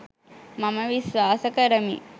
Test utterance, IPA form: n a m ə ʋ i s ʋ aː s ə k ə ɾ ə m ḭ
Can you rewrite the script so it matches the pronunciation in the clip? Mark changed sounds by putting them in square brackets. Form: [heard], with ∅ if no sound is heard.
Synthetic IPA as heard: [m] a m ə ʋ i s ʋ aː s ə k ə ɾ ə m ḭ